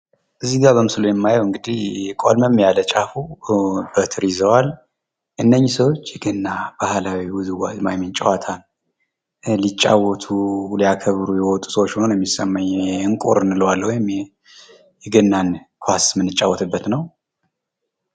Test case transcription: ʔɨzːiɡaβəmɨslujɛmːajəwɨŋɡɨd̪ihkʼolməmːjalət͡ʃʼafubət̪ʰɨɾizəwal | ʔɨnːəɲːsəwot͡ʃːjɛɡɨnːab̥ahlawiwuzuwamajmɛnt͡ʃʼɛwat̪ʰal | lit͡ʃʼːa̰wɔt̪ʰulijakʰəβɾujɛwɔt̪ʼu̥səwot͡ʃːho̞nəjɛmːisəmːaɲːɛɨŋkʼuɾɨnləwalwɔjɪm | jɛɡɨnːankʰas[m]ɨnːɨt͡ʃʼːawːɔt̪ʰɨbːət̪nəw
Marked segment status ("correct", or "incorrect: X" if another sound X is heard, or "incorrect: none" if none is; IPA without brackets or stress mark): correct